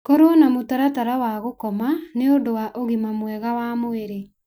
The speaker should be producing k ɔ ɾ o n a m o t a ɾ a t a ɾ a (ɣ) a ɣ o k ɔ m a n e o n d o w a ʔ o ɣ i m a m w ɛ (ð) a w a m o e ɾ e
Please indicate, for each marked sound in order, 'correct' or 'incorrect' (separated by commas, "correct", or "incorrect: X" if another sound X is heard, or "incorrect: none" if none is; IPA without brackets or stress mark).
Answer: incorrect: w, incorrect: ɣ